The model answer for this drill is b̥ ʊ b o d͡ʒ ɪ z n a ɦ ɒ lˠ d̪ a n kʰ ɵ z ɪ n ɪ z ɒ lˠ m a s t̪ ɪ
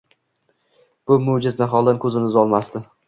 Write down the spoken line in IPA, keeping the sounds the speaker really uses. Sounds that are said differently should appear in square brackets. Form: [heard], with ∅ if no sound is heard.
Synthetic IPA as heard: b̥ ʊ [m] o d͡ʒ ɪ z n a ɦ ɒ lˠ d̪ a n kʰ ɵ z ɪ n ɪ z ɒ lˠ m a s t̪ ɪ